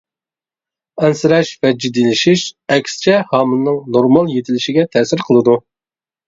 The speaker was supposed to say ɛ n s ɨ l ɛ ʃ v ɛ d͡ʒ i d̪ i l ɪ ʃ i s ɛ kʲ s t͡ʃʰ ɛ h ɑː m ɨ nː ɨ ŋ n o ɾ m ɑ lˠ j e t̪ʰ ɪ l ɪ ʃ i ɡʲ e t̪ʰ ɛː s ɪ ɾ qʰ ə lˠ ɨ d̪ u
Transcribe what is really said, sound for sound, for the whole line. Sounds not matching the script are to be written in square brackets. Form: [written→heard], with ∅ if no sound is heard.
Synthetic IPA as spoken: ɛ n s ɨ [l→ɾ] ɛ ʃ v ɛ d͡ʒ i d̪ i l ɪ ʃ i [s→ʃ] ɛ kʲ s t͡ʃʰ ɛ h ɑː m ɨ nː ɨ ŋ n o ɾ m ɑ lˠ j e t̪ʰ ɪ l ɪ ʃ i ɡʲ [e→ɛ] t̪ʰ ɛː s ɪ ɾ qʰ ə lˠ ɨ d̪ u

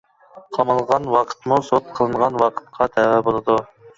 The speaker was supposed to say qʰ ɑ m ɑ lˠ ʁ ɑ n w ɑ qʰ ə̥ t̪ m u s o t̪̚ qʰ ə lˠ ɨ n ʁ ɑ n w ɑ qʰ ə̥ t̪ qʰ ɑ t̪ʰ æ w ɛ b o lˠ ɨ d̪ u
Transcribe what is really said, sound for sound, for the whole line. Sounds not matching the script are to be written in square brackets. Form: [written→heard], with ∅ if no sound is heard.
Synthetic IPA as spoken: qʰ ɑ m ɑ lˠ ʁ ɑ n w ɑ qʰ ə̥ t̪ m u s o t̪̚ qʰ ə lˠ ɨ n ʁ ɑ n w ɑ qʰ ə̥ t̪ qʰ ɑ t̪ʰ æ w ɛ b o lˠ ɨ d̪ u

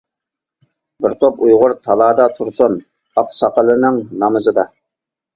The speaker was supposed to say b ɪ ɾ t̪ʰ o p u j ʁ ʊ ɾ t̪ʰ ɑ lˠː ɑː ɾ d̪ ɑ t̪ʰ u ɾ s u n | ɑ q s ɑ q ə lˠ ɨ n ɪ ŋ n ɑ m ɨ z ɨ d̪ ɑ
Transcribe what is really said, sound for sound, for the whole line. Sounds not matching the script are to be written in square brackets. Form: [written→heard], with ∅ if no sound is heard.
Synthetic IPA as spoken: b ɪ ɾ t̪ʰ o p u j ʁ ʊ ɾ t̪ʰ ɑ [lˠː→lˠ] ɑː [ɾ→∅] d̪ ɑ t̪ʰ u ɾ s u n | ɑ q s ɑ q ə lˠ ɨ n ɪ ŋ n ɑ m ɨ z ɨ d̪ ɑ

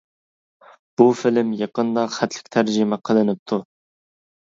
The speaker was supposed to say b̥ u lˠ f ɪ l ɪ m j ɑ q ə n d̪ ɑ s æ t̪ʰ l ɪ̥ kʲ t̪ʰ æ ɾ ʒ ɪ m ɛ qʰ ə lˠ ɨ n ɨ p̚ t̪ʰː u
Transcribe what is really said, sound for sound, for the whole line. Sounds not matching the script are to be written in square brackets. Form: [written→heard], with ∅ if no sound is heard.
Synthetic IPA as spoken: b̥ u [lˠ→∅] f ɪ l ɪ m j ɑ q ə n d̪ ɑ [s→χ] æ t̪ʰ l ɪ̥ kʲ t̪ʰ æ ɾ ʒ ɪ m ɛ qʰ ə lˠ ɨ n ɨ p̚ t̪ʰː u

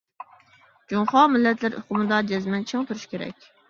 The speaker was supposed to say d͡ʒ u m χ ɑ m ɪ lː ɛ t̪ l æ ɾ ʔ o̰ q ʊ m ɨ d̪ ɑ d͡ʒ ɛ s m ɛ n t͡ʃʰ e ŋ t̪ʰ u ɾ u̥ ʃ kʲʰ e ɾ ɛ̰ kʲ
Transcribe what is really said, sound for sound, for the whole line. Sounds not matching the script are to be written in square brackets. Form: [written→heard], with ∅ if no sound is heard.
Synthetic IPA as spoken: d͡ʒ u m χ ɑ m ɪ lː ɛ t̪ l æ ɾ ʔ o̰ q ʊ m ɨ d̪ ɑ d͡ʒ ɛ [s→z] m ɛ n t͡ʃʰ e ŋ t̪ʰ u ɾ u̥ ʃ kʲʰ e ɾ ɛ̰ kʲ

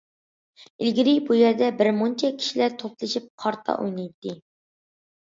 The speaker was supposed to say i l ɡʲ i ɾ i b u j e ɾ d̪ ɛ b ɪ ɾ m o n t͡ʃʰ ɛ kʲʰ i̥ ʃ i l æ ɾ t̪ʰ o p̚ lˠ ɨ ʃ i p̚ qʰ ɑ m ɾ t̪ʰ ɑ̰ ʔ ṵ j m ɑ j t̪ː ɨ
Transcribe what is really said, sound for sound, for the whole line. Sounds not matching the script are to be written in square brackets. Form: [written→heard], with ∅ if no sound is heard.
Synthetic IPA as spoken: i l ɡʲ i ɾ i b u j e ɾ d̪ ɛ b ɪ ɾ m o n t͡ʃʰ ɛ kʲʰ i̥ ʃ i l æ ɾ t̪ʰ o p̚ lˠ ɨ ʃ i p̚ qʰ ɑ [m→∅] ɾ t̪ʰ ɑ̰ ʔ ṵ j [m→n] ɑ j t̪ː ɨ

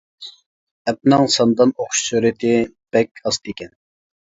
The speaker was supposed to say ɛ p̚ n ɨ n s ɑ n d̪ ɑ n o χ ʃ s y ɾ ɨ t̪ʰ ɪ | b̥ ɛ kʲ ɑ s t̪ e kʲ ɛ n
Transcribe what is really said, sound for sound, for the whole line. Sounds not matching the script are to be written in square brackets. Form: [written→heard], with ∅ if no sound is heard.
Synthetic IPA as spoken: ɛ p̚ n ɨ [n→ŋ] s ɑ n d̪ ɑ n o χ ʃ s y ɾ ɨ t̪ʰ ɪ | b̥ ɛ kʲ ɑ s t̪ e kʲ ɛ n

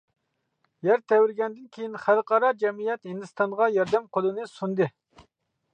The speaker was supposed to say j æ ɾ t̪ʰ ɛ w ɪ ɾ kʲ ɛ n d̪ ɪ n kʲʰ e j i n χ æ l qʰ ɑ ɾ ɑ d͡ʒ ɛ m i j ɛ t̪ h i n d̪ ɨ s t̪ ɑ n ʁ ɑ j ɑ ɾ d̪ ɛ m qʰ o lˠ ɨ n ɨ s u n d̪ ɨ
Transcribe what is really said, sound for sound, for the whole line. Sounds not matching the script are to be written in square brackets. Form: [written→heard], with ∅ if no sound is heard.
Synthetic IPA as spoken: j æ ɾ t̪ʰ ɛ w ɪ ɾ [kʲ→ɡʲ] ɛ n d̪ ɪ n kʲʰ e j i n χ æ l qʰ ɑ ɾ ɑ d͡ʒ ɛ m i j ɛ t̪ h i n d̪ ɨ s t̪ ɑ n ʁ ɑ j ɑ ɾ d̪ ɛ m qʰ o lˠ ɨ n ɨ s u n d̪ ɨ

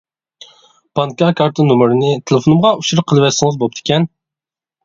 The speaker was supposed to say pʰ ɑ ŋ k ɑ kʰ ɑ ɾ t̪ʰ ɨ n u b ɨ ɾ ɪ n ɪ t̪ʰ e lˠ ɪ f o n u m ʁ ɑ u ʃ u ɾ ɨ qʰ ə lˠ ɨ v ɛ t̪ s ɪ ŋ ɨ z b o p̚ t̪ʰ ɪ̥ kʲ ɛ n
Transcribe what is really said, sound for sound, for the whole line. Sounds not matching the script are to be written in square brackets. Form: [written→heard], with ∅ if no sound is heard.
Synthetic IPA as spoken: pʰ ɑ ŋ k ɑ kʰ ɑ ɾ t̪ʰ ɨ n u [b→m] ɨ ɾ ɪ n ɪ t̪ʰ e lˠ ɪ f o n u m ʁ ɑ u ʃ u ɾ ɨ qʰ ə lˠ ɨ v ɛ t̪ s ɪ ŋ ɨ z b o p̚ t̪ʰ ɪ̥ kʲ ɛ n

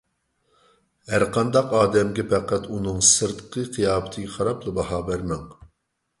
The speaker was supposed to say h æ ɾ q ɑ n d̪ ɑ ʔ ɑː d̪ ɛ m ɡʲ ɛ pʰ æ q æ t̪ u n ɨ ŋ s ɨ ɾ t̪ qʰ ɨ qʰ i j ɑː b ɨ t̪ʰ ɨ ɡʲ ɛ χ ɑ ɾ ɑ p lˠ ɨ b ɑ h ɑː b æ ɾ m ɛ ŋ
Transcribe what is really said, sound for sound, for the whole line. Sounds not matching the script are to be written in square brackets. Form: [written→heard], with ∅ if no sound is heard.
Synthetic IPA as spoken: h æ ɾ q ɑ n d̪ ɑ [ʔ→q] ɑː d̪ ɛ m ɡʲ ɛ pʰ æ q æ t̪ u n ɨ ŋ s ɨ ɾ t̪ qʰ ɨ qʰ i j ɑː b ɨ t̪ʰ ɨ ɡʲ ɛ χ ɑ ɾ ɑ p lˠ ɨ b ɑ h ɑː b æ ɾ m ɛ ŋ

